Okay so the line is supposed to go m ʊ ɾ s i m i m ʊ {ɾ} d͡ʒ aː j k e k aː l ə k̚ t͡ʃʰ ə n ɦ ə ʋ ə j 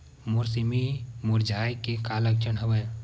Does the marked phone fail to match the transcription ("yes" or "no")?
no